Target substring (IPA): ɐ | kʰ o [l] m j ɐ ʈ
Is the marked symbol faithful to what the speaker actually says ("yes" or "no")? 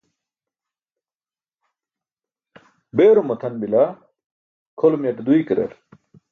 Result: yes